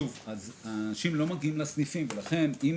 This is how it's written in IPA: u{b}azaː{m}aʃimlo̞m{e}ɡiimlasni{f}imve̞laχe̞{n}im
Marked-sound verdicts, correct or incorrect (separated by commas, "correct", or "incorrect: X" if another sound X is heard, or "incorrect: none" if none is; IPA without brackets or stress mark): incorrect: v, incorrect: n, incorrect: a, correct, correct